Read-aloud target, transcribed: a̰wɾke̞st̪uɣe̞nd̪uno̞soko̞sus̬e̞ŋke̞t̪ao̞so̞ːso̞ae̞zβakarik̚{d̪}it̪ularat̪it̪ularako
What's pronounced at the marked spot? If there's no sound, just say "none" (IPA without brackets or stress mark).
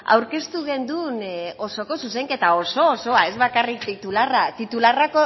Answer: t̪